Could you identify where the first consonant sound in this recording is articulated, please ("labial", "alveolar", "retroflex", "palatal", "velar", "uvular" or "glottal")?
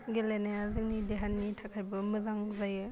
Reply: velar